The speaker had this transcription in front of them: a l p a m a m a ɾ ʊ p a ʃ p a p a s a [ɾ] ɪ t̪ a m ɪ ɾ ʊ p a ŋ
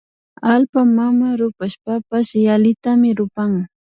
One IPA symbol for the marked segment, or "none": l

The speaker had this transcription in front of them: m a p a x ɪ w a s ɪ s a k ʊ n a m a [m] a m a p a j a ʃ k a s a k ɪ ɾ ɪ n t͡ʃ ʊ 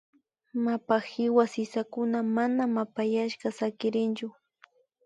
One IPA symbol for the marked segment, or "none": n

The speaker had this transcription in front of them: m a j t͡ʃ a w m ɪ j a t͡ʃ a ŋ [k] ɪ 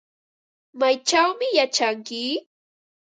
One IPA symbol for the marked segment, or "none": k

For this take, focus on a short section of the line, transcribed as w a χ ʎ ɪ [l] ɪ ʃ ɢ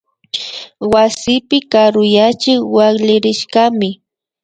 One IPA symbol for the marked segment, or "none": ɾ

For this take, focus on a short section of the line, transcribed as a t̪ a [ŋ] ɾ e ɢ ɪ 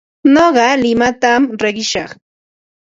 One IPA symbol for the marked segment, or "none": m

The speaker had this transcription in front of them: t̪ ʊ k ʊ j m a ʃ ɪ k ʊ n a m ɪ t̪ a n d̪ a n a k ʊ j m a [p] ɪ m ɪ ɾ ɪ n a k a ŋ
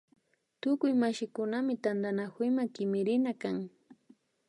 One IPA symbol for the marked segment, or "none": k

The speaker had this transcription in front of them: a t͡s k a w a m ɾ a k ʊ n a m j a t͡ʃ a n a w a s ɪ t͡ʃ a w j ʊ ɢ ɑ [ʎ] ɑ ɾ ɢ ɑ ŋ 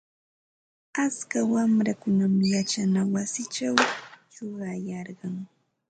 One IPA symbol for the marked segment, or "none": j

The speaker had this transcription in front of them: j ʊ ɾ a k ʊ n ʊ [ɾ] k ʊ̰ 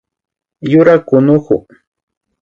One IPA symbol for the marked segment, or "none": none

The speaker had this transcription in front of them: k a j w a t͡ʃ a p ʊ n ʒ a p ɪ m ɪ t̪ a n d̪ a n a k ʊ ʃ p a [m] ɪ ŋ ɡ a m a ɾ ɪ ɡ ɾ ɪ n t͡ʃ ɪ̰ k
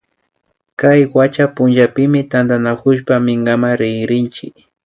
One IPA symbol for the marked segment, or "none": m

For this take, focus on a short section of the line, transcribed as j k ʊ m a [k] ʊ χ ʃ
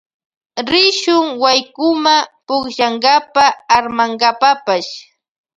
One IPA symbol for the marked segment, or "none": p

